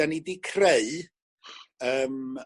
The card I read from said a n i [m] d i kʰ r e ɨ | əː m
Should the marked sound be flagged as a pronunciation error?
yes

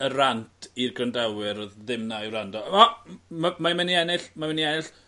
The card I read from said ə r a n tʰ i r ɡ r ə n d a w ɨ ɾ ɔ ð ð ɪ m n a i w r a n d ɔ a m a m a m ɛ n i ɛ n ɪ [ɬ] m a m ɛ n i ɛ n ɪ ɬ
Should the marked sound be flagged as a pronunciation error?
no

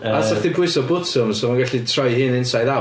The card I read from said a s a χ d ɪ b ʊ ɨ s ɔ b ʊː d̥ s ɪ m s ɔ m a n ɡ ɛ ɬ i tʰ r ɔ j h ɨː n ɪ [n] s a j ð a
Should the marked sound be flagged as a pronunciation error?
no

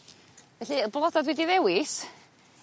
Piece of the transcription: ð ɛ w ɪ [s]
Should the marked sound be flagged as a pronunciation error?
no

